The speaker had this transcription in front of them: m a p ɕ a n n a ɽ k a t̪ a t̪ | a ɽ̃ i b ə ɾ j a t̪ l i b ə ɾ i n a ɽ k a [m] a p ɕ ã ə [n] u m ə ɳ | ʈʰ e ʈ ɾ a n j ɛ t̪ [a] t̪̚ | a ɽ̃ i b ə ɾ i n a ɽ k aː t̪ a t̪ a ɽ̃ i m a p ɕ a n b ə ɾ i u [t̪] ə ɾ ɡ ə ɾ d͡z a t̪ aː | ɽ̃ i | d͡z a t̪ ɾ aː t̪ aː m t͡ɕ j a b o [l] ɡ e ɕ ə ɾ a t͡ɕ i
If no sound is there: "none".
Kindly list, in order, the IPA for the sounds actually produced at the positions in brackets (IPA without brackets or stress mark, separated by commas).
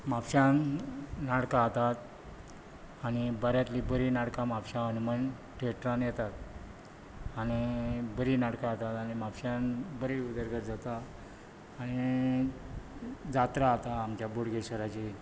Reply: m, n, a, d̪, ɽ